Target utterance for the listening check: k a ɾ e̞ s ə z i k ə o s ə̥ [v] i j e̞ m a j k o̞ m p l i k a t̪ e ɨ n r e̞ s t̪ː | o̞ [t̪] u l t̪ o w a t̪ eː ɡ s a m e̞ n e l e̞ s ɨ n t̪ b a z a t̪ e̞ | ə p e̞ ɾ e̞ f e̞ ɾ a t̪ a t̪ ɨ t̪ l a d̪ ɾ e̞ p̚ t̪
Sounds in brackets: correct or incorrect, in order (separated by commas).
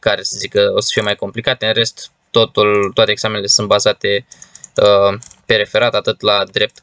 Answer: incorrect, correct